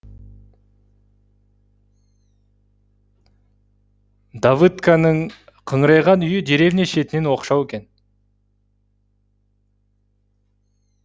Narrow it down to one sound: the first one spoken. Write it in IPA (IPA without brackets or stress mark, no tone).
d̪